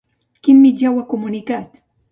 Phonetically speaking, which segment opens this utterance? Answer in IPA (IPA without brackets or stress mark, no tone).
k